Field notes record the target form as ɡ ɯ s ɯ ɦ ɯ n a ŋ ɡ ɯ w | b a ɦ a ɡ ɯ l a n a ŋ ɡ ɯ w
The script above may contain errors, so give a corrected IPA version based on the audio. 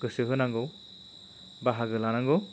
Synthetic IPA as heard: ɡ ɯ s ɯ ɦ ɯ n a ŋ ɡ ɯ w | b a ɦ a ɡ ɯ l a n a ŋ ɡ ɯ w